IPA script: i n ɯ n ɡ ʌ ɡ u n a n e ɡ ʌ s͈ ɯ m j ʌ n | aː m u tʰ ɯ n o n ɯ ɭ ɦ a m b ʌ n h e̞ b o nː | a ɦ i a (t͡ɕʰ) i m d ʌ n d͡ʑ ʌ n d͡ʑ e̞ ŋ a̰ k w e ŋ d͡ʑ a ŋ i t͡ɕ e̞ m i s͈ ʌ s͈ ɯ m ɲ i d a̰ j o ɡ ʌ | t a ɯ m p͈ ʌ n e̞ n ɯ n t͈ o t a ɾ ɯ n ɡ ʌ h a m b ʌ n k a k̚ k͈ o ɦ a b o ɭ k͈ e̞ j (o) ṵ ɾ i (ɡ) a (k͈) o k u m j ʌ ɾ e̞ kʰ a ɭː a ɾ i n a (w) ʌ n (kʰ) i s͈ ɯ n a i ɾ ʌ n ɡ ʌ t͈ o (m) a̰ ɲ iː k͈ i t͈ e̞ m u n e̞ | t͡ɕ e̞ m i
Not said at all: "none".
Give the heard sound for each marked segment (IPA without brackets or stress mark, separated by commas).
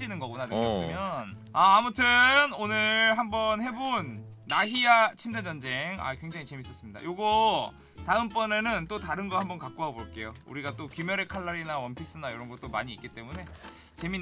t͡ɕʰ, o, ɡ, t͈, w, pʰ, m